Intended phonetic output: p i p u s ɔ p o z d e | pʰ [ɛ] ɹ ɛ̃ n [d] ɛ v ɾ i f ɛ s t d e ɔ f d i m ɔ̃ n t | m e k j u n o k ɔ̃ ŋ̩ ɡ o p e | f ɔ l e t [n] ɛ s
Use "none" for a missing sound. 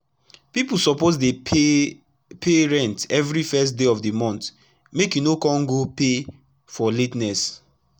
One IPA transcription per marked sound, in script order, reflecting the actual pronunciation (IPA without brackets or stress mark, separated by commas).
e, t, n